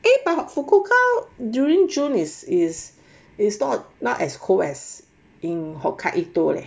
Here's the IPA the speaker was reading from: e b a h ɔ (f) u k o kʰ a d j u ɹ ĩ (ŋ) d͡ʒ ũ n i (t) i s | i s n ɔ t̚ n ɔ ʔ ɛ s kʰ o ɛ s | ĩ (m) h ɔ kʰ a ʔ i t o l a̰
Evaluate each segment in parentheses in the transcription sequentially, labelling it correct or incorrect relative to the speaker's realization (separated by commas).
correct, correct, incorrect, incorrect